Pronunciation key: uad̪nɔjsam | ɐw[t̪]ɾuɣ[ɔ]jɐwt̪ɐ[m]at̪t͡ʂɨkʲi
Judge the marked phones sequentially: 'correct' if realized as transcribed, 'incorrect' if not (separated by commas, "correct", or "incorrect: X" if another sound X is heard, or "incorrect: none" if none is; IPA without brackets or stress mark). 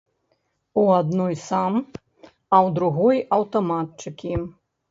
incorrect: d̪, correct, correct